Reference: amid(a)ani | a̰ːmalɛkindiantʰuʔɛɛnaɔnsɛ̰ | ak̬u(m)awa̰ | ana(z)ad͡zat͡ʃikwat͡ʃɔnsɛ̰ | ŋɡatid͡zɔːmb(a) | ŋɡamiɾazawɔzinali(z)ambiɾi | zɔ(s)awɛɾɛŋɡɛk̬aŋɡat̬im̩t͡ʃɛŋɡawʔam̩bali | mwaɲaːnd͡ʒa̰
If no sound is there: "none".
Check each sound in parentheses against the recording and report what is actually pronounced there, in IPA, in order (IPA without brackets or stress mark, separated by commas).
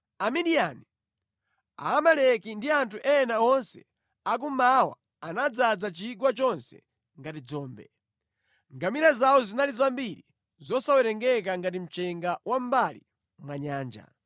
i, m, d͡z, ɛ, z, s